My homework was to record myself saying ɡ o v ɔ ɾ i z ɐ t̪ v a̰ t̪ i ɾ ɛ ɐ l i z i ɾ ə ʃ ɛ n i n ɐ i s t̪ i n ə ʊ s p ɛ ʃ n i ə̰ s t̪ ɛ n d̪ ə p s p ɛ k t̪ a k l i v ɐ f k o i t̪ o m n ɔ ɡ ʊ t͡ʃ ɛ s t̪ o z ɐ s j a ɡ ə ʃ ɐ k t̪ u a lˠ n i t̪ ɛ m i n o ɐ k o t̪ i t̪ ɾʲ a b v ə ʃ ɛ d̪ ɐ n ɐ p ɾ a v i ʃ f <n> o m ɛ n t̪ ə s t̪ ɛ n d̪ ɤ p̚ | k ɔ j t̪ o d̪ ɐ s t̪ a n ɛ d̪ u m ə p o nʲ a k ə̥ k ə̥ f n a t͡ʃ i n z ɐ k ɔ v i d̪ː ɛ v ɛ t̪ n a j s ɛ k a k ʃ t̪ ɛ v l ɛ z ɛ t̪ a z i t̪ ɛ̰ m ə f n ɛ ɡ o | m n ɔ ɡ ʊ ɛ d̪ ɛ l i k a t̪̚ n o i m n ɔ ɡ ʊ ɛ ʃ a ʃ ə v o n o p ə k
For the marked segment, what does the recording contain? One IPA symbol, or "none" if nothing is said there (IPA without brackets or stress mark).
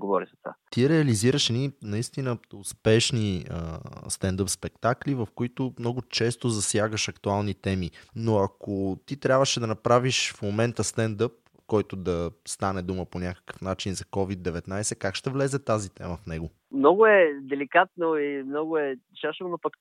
m